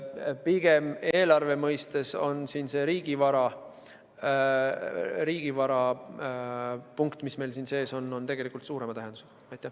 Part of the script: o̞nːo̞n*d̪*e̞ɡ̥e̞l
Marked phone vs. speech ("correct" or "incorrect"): incorrect